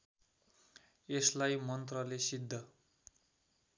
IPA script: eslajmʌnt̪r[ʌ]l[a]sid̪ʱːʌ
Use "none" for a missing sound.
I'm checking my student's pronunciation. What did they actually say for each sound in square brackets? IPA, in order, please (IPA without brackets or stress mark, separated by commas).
ʌ, e